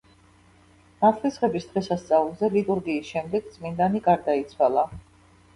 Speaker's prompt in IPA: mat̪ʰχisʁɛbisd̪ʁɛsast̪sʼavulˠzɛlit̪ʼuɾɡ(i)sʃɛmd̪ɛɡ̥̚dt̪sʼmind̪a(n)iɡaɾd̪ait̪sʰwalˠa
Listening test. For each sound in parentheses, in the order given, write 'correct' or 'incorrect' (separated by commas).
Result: incorrect, correct